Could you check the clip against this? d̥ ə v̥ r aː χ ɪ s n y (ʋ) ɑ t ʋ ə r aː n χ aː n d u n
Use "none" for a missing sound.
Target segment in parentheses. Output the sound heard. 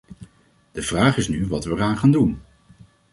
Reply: ʋ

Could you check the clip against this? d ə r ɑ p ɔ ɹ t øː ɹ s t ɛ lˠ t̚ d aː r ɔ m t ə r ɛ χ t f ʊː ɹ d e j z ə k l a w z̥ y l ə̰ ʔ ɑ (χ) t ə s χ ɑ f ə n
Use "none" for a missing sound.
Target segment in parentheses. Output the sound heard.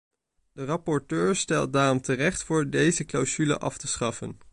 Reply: f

